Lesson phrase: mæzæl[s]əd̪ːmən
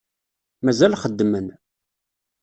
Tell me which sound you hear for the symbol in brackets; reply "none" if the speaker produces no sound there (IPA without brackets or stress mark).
χ